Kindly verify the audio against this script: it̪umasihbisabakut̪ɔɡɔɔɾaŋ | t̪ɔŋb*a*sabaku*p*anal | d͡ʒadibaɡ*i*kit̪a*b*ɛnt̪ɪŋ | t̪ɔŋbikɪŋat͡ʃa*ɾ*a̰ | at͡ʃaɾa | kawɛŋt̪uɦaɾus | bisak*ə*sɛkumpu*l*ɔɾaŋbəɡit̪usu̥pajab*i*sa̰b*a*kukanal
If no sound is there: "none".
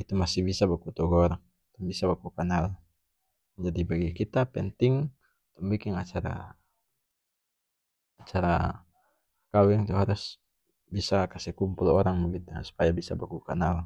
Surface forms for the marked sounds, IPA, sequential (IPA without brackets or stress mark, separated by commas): i, k, i, p, ɾ, a, l, i, a